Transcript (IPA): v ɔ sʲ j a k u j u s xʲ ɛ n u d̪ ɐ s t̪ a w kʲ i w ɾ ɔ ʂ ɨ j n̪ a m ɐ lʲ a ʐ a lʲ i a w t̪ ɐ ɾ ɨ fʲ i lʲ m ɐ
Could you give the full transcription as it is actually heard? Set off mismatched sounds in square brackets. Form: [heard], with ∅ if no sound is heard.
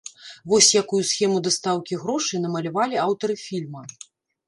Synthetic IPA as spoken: v ɔ sʲ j a k u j u s xʲ ɛ [m] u d̪ ɐ s t̪ a w kʲ i [ɣ] ɾ ɔ ʂ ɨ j n̪ [ɐ] m ɐ lʲ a [v] a lʲ i a w t̪ ɐ ɾ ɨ fʲ i lʲ m ɐ